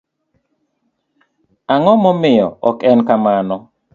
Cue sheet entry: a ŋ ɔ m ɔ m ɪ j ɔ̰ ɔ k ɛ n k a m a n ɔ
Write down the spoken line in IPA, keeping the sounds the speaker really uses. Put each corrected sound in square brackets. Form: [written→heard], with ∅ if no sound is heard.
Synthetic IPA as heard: a ŋ ɔ m ɔ m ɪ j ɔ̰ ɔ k ɛ n k a m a n ɔ